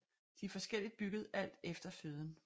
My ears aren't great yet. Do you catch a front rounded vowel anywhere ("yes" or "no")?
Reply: yes